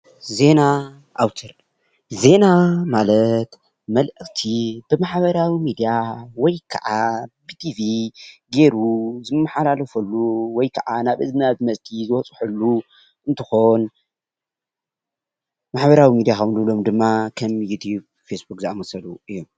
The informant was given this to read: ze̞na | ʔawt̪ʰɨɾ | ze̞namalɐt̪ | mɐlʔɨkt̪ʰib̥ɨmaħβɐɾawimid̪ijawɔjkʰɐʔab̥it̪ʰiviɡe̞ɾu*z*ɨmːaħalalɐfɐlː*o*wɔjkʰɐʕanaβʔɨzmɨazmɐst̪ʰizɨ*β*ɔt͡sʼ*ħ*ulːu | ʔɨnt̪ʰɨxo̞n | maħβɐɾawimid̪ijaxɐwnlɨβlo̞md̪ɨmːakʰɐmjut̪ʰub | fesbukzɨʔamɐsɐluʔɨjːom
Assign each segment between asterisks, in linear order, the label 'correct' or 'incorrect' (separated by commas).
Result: correct, incorrect, incorrect, correct